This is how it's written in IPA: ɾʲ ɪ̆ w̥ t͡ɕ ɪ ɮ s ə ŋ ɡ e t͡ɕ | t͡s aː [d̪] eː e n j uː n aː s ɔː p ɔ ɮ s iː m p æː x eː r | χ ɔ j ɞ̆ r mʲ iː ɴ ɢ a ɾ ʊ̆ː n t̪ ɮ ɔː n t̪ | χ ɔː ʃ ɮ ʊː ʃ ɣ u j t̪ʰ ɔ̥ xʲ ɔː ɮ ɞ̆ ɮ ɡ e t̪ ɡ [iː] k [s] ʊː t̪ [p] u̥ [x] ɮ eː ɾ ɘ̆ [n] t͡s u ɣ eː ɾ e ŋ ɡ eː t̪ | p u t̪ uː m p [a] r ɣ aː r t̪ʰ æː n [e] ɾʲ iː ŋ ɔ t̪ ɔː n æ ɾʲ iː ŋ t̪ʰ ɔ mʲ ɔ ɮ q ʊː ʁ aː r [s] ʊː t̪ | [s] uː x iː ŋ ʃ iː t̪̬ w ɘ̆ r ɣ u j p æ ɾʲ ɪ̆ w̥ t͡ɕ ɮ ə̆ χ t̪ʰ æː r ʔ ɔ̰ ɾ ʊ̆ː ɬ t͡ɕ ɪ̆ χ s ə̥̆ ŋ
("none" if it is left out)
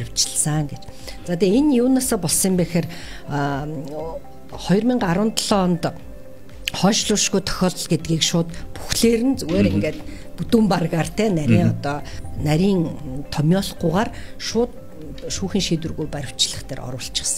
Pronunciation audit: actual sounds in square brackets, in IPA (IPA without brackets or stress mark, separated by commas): t̪, iː, ʃ, p, x, n, a, æ, ʃ, ʃ